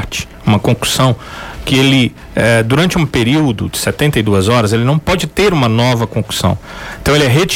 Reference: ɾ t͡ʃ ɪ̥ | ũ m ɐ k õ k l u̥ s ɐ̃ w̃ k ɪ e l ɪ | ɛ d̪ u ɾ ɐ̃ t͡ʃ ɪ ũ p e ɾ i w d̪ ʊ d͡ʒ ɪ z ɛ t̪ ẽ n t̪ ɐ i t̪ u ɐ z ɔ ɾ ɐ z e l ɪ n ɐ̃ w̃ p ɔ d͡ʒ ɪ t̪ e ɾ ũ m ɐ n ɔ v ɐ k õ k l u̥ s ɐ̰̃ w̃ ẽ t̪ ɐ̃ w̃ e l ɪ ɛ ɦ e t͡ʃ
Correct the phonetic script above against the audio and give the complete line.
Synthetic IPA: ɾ t͡ʃ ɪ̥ | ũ m ɐ k õ k l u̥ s ɐ̃ w̃ k ɪ e l ɪ | ɛ d̪ u ɾ ɐ̃ t͡ʃ ɪ ũ p e ɾ i w d̪ ʊ d͡ʒ ɪ s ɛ t̪ ẽ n t̪ ɐ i d̪ u ɐ z ɔ ɾ ɐ z e l ɪ n ɐ̃ w̃ p ɔ d͡ʒ ɪ t̪ e ɾ ũ m ɐ n ɔ v ɐ k õ k l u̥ s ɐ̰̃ w̃ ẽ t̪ ɐ̃ w̃ e l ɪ ɛ ɦ e t͡ʃ